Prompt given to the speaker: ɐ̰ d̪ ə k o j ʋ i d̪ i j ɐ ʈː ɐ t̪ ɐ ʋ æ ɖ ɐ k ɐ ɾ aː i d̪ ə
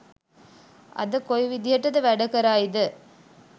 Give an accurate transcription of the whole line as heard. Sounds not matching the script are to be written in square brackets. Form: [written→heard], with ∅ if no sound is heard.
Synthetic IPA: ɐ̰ d̪ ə k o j ʋ i d̪ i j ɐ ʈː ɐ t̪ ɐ ʋ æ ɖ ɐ k ɐ ɾ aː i d̪ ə